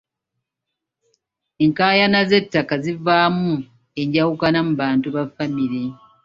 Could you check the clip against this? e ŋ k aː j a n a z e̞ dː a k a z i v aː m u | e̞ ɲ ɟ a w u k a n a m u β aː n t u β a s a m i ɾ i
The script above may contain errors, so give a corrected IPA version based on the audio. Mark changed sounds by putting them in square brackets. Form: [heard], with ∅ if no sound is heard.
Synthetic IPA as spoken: e ŋ k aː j a n a z e̞ [tː] a k a z i v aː m u | e̞ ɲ ɟ a w u k a n a m u β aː n t u β a [f] a m i ɾ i